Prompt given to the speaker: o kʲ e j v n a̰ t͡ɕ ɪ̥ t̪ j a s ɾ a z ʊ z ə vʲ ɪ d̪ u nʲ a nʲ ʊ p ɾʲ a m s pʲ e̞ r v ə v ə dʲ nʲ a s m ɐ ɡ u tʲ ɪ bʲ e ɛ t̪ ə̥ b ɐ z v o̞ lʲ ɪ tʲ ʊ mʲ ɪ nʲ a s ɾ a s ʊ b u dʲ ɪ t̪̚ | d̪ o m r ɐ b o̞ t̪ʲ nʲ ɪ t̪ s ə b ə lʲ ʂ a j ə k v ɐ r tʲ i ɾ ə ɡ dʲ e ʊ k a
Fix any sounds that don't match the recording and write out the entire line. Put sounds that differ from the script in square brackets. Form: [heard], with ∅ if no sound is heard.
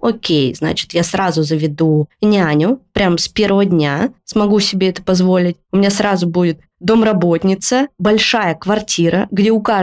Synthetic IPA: o kʲ e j [z] n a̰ t͡ɕ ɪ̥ t̪ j a s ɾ a z ʊ z ə vʲ ɪ d̪ u nʲ a nʲ ʊ p ɾʲ a m s pʲ e̞ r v ə v ə dʲ nʲ a s m ɐ ɡ u [sʲ] ɪ bʲ e ɛ t̪ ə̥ [p] ɐ z v o̞ lʲ ɪ tʲ ʊ mʲ ɪ nʲ a s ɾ a [z] ʊ b u dʲ ɪ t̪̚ | d̪ o m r ɐ b o̞ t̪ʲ nʲ ɪ t̪ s ə b [ɐ] lʲ ʂ a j ə k v ɐ r tʲ i ɾ ə ɡ dʲ e ʊ k a